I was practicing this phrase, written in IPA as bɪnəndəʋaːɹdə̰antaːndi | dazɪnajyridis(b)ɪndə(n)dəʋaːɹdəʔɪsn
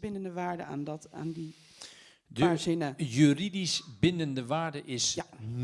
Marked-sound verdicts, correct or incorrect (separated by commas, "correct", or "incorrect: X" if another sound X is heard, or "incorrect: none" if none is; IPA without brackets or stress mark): correct, correct